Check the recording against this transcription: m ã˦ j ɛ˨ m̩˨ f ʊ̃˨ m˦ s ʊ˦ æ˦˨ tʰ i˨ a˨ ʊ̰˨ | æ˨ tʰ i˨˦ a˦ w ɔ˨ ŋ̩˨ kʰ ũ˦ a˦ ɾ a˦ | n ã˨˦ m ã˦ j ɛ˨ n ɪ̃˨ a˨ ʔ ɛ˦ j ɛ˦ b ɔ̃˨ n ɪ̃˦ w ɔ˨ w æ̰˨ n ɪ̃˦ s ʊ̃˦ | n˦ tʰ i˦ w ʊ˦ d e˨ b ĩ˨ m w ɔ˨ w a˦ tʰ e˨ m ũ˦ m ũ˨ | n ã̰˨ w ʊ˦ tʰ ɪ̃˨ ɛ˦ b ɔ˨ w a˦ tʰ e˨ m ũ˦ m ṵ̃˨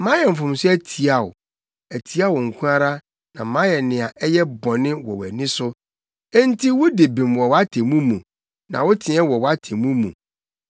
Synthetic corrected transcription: m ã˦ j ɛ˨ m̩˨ f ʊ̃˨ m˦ s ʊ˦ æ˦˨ tʰ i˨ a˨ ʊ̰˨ | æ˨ tʰ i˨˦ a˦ w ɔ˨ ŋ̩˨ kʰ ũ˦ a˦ ɾ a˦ | n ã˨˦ m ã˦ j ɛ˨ n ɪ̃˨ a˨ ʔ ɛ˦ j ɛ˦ b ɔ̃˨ n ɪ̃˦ w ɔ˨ w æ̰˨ n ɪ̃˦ s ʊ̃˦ | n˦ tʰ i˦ w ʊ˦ d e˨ b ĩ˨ m w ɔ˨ w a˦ tʰ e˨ m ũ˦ m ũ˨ | n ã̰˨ w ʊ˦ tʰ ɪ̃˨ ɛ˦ w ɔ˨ w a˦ tʰ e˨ m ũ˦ m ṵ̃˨